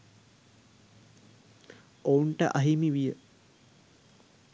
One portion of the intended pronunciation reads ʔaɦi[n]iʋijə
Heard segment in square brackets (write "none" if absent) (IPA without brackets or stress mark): m